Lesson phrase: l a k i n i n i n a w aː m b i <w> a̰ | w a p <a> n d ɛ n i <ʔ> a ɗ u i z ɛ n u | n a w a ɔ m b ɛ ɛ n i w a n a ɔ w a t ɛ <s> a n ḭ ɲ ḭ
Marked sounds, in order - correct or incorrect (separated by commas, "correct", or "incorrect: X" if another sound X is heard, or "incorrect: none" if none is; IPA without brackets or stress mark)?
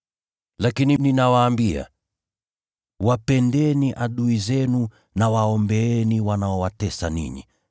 incorrect: none, incorrect: ɛ, correct, correct